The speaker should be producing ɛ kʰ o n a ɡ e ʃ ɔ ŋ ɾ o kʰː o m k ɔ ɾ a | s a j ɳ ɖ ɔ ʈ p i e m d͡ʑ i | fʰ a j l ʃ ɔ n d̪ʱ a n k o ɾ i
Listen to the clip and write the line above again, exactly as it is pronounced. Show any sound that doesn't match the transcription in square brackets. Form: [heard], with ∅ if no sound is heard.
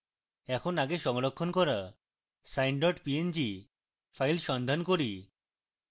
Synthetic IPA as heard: ɛ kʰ o n a ɡ e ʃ ɔ ŋ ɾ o kʰː o [n] k ɔ ɾ a | s a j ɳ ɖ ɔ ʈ p i e [n] d͡ʑ i | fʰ a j l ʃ ɔ n d̪ʱ a n k o ɾ i

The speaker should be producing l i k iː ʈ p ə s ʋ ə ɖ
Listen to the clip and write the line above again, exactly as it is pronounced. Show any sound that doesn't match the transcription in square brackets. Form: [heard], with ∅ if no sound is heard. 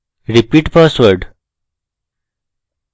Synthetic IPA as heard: [ɾ] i [p] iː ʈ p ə s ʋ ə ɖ

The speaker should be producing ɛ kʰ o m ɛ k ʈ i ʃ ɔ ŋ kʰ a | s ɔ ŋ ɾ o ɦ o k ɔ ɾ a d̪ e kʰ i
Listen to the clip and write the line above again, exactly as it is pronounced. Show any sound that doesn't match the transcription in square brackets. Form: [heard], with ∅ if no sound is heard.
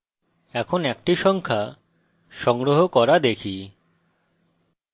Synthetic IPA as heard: ɛ kʰ o [n] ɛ k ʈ i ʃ ɔ ŋ kʰ a | [ʃ] ɔ ŋ ɾ o ɦ o k ɔ ɾ a d̪ e kʰ i

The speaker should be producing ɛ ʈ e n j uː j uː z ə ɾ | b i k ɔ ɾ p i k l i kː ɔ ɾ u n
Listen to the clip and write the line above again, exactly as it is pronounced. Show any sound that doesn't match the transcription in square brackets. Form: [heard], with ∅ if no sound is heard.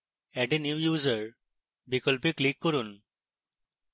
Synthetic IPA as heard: ɛ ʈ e n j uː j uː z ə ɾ | b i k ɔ [l] p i k l i kː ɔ ɾ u n

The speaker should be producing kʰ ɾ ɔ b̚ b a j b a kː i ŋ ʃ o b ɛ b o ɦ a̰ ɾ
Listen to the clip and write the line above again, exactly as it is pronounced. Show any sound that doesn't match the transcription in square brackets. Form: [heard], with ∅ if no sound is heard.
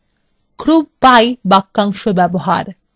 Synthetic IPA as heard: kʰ ɾ [u] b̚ [p] a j b a kː [a] ŋ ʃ o b ɛ b o ɦ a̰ ɾ

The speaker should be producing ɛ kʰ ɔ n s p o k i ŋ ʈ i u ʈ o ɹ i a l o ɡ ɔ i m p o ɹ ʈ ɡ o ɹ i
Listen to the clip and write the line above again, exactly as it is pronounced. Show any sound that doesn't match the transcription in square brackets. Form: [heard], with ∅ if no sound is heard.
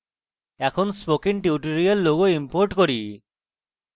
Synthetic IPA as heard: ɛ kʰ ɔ n s p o k i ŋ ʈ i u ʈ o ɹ i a [lː] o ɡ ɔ i m p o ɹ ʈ [k] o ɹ i

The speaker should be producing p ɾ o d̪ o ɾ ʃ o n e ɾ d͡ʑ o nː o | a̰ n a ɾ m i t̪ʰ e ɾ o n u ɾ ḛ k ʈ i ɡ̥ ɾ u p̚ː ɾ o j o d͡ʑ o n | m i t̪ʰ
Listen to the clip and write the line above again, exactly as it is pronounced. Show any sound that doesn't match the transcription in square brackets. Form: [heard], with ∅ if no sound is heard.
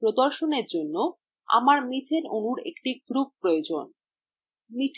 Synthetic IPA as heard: p ɾ o d̪ o ɾ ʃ o n e ɾ d͡ʑ o nː o | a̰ [m] a ɾ m i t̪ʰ e ɾ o n u ɾ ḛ k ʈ i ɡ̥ ɾ u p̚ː ɾ o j o d͡ʑ o n | m i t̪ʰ

